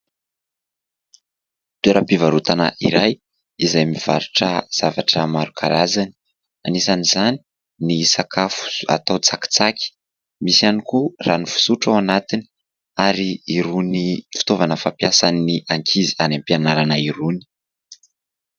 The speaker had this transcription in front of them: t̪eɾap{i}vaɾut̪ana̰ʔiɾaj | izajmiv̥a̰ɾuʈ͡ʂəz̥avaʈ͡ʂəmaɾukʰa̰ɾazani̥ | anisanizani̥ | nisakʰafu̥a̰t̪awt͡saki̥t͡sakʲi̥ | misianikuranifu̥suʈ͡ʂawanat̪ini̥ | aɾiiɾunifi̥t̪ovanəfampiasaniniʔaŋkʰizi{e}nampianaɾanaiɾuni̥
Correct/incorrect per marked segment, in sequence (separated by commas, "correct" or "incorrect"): correct, incorrect